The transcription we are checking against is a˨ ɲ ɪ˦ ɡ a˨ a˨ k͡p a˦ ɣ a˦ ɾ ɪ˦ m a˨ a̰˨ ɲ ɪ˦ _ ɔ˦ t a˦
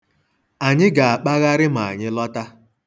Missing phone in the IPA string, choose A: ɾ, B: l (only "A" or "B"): B